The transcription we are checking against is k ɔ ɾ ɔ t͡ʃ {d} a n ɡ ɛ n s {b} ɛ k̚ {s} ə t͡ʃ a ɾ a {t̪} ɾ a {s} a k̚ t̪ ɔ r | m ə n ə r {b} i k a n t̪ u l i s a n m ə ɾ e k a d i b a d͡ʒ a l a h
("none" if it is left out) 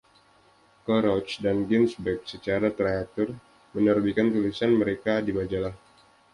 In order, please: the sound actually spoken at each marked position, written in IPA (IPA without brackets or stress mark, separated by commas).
d, b, s, t̪, none, b